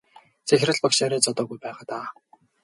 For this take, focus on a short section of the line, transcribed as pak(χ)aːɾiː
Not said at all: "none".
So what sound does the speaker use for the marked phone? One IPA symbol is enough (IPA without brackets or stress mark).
ʃ